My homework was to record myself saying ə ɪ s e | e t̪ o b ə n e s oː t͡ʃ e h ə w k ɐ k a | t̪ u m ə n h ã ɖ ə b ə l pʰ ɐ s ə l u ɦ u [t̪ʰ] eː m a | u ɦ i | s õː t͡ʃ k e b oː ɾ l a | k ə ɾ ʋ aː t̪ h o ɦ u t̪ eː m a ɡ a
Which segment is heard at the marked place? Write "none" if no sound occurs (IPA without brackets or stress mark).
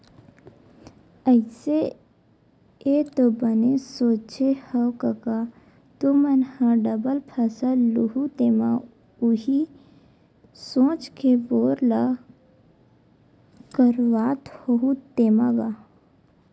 t̪